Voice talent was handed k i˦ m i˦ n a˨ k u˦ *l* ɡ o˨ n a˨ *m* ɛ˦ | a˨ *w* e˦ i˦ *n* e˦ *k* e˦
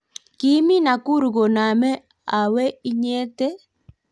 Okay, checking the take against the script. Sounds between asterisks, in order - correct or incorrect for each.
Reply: incorrect: ɾ, correct, correct, incorrect: ɲ, incorrect: t

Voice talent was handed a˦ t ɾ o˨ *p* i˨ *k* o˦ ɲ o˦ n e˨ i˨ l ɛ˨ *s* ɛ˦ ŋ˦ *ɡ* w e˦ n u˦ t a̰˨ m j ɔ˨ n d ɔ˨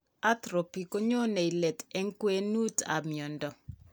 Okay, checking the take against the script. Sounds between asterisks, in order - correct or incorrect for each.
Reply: correct, correct, incorrect: t, incorrect: k

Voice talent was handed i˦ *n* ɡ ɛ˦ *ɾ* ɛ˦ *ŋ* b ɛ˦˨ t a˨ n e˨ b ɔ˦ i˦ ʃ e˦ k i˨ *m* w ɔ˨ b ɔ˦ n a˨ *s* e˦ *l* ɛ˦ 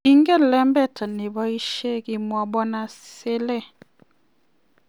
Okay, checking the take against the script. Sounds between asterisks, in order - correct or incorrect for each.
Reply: incorrect: ŋ, incorrect: l, incorrect: m, correct, correct, correct

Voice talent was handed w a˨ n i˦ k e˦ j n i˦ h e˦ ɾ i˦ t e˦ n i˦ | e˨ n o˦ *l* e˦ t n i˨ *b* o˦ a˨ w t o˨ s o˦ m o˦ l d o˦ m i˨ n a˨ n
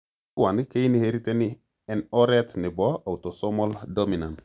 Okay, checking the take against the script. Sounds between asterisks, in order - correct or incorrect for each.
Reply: incorrect: ɾ, correct

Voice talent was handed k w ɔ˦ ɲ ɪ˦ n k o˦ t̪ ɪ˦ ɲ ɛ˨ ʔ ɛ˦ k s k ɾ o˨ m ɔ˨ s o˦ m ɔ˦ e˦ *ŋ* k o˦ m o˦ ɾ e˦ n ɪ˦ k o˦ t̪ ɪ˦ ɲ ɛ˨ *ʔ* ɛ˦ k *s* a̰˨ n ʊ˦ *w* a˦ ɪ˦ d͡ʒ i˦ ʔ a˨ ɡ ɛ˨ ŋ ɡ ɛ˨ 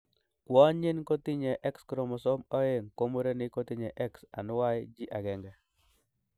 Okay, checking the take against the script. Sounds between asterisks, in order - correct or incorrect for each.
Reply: correct, correct, correct, correct

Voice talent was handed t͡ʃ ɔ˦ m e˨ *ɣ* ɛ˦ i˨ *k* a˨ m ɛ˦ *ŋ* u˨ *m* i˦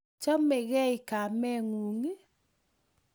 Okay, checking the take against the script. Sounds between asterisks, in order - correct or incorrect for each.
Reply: correct, correct, correct, incorrect: ŋ

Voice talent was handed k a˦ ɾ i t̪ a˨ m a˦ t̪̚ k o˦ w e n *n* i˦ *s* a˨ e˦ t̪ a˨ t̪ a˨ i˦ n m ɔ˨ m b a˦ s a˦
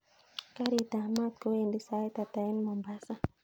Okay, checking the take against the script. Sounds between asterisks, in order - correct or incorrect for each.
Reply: incorrect: d, correct

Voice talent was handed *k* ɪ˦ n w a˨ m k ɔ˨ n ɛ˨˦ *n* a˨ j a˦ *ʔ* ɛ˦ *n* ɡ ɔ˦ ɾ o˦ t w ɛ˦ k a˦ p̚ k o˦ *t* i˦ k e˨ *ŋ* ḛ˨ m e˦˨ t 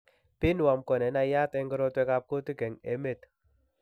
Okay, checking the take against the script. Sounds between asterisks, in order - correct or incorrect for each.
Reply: incorrect: p, correct, incorrect: t, incorrect: ŋ, correct, correct

